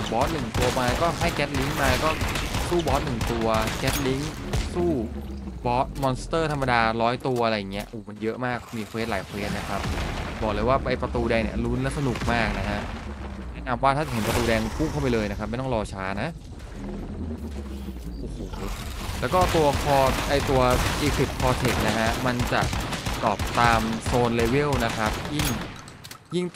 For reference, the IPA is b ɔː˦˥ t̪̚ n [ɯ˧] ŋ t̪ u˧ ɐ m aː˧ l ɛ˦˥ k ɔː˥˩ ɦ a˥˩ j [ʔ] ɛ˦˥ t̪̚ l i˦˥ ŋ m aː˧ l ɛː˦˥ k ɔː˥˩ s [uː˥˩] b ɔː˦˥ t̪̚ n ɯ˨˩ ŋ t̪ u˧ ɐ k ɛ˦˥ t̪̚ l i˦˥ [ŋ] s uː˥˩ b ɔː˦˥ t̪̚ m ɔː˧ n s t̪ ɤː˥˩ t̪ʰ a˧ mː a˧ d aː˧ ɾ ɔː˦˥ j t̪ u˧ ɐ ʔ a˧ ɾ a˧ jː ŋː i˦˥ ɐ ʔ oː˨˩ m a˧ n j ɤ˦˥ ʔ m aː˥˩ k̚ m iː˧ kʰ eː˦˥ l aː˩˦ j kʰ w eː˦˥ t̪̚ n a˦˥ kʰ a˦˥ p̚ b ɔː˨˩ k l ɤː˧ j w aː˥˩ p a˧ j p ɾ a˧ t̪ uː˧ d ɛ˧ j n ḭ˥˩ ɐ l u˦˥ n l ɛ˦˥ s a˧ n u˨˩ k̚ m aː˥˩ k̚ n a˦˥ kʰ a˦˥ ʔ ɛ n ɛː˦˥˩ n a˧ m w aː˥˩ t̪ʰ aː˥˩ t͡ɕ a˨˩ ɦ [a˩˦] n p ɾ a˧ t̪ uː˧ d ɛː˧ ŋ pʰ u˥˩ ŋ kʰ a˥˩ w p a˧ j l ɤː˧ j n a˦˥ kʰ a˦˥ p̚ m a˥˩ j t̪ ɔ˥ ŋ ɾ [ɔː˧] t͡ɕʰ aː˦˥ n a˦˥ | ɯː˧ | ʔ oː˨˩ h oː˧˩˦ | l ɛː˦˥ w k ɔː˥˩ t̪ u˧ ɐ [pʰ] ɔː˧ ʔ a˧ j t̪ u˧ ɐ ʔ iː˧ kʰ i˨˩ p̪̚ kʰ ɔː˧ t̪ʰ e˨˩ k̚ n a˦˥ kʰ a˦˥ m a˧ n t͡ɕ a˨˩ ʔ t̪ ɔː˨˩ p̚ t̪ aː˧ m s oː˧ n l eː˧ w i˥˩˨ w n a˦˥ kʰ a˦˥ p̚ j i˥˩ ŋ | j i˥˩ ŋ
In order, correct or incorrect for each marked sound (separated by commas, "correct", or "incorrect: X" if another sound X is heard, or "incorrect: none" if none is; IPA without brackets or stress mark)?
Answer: incorrect: ɯ˨˩, incorrect: k, correct, correct, incorrect: e˩˦, correct, incorrect: kʰ